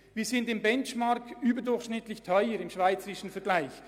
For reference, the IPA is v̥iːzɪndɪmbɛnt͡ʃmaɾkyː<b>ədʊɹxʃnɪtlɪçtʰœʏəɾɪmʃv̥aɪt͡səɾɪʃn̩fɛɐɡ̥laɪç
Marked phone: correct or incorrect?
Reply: correct